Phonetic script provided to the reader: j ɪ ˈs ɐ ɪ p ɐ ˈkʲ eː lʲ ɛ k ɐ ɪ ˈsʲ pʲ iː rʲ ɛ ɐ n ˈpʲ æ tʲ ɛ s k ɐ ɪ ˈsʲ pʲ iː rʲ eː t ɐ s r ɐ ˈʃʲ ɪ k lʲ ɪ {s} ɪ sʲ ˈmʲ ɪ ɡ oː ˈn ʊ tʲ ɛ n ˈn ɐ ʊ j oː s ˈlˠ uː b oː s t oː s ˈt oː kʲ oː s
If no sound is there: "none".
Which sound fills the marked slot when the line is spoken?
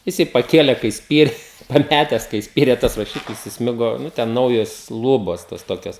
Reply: s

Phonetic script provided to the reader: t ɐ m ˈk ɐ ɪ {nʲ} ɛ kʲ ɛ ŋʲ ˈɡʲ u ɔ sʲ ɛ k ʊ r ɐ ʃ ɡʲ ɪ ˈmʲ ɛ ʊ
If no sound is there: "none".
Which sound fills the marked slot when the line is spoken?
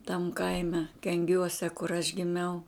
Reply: mʲ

